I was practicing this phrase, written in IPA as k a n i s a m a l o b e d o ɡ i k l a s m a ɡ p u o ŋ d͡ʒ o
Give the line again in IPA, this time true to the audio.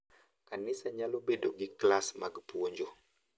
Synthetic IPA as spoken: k a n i s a ɲ a l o b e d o ɡ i k l a s m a ɡ p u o ɲ d͡ʒ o